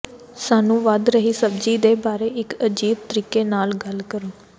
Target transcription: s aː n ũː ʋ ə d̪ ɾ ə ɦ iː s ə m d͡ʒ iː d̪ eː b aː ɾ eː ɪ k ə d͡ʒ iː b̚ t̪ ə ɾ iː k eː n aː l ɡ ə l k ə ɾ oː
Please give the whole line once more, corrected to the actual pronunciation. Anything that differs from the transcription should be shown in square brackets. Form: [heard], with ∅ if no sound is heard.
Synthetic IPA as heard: s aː n ũː ʋ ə d̪ ɾ ə ɦ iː s ə [b] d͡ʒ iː d̪ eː b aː ɾ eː ɪ k ə d͡ʒ iː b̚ t̪ ə ɾ iː k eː n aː l ɡ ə l k ə ɾ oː